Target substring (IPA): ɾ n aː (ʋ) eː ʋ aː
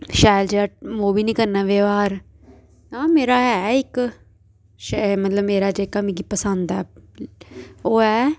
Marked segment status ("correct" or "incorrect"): correct